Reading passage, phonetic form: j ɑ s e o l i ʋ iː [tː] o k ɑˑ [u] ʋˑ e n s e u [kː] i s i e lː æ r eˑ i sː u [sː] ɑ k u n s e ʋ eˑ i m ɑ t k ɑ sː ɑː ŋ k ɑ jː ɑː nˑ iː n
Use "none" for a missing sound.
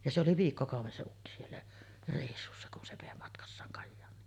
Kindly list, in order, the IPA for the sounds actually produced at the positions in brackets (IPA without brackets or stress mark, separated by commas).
kː, u, kː, sː